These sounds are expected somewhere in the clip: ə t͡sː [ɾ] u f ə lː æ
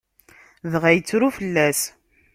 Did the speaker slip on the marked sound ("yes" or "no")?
no